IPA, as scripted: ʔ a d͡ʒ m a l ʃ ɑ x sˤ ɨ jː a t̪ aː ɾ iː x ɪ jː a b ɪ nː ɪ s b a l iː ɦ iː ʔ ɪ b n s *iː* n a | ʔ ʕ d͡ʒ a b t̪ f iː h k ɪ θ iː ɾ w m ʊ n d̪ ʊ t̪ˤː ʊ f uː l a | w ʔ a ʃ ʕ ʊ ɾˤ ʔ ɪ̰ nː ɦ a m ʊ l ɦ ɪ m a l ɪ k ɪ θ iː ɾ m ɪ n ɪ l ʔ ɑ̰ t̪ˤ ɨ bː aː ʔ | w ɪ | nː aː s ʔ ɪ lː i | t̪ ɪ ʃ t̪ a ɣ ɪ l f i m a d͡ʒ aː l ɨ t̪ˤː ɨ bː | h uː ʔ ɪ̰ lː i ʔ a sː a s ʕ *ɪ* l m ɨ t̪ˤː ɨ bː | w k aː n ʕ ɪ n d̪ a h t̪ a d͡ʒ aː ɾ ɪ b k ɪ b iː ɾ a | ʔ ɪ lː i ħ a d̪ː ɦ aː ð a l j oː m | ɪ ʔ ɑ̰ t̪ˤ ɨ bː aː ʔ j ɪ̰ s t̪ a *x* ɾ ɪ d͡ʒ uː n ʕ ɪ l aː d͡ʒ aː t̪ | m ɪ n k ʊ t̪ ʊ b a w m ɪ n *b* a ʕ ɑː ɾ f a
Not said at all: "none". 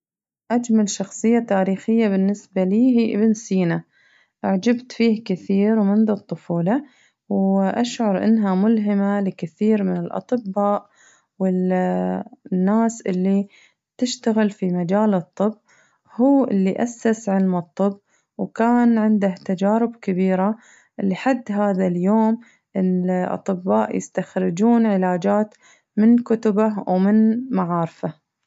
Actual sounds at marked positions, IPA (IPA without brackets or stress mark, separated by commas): iː, ɪ, x, m